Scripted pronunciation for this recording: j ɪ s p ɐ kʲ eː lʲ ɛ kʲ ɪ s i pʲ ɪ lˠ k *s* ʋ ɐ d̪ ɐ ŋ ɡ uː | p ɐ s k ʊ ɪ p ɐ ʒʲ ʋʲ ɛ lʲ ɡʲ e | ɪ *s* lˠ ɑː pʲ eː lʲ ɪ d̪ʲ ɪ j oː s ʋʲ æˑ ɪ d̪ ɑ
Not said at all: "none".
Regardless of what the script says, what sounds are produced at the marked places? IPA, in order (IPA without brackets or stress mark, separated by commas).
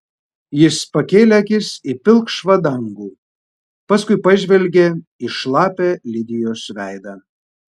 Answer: ʃ, ʃ